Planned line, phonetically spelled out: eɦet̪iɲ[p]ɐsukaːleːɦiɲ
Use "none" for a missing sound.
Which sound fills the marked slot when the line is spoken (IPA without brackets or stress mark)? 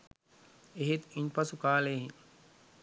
p